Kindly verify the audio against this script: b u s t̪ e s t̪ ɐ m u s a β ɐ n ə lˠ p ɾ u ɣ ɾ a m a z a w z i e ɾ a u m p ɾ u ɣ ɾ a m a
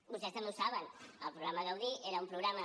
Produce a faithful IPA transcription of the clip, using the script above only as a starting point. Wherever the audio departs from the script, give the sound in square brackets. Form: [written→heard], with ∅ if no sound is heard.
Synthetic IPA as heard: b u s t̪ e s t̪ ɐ m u s a β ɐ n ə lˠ p ɾ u ɣ ɾ a m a [z→ɣ] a w [z→ð] i e ɾ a u m p ɾ u ɣ ɾ a m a